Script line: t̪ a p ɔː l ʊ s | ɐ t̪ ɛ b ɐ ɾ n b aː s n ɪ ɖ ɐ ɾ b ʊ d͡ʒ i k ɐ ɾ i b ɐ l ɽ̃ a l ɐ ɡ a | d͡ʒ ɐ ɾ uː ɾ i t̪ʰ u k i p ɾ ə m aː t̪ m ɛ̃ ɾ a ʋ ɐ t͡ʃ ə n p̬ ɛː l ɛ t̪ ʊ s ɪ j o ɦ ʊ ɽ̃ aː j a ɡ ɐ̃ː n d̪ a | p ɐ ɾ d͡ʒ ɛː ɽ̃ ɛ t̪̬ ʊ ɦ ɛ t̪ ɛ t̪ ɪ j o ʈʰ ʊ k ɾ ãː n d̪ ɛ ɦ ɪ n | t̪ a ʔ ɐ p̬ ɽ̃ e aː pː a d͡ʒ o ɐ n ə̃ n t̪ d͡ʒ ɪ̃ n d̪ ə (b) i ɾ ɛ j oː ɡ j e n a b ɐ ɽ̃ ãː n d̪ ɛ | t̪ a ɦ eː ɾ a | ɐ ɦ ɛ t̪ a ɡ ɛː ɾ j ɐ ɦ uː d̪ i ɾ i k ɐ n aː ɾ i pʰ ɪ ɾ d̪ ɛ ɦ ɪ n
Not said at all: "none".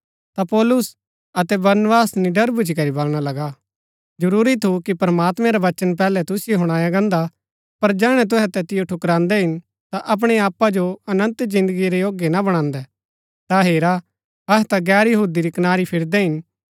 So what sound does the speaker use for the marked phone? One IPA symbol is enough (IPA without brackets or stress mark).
ɡ